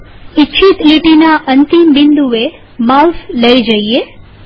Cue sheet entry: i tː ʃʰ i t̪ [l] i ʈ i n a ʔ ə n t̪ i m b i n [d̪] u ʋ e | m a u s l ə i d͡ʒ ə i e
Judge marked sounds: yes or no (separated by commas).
yes, yes